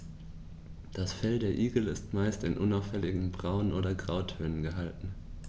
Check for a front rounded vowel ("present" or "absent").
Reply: present